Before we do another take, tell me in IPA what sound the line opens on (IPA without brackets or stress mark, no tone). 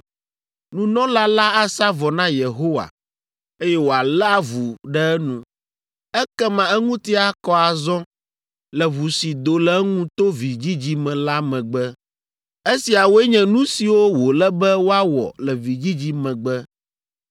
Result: n